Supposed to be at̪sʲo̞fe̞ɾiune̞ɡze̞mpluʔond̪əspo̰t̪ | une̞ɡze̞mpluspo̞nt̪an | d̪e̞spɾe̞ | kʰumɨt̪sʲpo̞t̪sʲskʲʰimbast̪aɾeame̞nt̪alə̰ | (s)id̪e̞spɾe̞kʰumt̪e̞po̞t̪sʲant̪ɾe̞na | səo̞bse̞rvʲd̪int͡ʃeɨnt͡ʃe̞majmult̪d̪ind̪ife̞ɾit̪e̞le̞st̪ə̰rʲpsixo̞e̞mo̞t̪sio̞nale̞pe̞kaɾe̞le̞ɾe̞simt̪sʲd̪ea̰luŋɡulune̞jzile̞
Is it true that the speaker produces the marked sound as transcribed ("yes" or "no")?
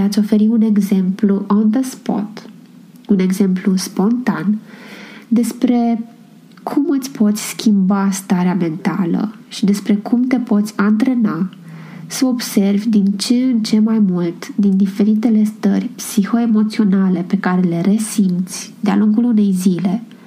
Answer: no